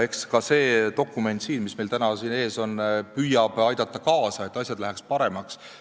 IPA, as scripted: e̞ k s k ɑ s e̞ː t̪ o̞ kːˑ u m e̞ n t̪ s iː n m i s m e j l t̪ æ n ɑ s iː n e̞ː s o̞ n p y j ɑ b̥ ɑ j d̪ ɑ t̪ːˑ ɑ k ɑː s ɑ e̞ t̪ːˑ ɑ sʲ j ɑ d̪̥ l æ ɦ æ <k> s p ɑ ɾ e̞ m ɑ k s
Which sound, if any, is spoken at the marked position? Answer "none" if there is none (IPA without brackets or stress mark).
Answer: k